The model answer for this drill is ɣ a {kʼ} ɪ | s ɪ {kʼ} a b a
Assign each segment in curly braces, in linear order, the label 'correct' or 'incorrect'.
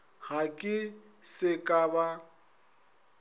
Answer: correct, correct

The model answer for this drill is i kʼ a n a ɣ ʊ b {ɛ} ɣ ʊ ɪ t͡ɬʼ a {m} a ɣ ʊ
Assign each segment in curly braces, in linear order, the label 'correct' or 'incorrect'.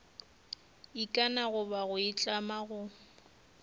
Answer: incorrect: a, correct

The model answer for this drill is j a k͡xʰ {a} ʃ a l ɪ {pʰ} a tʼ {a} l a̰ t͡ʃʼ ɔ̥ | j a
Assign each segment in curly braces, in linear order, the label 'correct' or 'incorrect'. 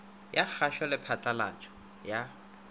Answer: correct, correct, correct

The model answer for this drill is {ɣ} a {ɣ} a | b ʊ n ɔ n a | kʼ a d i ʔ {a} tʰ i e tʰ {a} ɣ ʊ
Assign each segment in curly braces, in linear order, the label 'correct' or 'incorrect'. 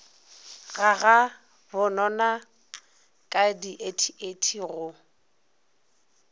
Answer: correct, correct, incorrect: e, incorrect: i

